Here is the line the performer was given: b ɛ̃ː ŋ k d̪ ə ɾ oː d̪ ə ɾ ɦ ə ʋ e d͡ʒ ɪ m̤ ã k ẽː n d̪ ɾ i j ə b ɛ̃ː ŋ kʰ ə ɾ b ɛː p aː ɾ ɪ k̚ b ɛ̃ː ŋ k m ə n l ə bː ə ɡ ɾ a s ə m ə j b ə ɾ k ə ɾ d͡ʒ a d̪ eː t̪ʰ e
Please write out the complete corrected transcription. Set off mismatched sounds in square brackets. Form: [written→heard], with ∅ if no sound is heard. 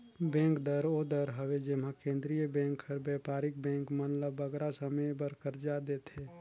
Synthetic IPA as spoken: b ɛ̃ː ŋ k d̪ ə ɾ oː d̪ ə ɾ ɦ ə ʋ e d͡ʒ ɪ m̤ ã k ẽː n d̪ ɾ i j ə b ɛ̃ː ŋ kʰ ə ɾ b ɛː p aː ɾ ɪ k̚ b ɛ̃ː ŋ k m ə n l ə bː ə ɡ ɾ a s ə m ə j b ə ɾ k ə ɾ d͡ʒ a d̪ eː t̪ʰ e